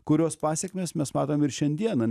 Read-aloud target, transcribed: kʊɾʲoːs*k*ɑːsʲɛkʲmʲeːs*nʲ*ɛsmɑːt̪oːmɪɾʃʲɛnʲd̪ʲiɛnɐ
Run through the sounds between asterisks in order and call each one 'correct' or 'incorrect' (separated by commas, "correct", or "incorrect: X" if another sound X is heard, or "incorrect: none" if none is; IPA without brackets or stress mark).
incorrect: p, incorrect: mʲ